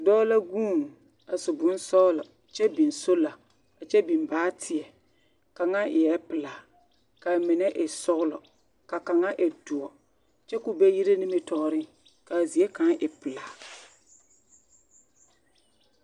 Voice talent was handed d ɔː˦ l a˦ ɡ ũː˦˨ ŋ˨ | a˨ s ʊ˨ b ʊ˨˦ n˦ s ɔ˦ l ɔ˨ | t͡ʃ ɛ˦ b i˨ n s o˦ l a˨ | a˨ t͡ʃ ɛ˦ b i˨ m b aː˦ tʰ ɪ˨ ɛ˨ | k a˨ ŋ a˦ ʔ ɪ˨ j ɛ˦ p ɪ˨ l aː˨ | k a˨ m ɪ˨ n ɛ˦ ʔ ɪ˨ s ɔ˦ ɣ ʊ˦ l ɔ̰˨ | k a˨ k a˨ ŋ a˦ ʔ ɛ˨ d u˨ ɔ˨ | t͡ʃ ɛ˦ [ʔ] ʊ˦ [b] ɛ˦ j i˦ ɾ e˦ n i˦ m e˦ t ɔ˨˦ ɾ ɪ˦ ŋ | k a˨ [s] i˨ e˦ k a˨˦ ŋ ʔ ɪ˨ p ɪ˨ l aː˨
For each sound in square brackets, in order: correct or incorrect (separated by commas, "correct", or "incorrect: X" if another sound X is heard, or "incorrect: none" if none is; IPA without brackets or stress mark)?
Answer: incorrect: k, correct, incorrect: z